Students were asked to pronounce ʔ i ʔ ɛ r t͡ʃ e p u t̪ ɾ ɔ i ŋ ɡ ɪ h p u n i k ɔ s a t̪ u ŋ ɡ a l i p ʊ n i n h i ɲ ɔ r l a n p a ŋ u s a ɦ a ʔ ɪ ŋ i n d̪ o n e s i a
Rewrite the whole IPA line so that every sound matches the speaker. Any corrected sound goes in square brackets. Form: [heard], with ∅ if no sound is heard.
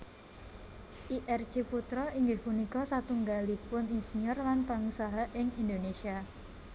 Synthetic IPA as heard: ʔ i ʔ ɛ r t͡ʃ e p u t̪ ɾ ɔ i ŋ ɡ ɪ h p u n i k ɔ s a t̪ u ŋ ɡ a l i p ʊ n i n [s] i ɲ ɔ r l a n p a ŋ u s a ɦ a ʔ ɪ ŋ i n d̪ o n e s i a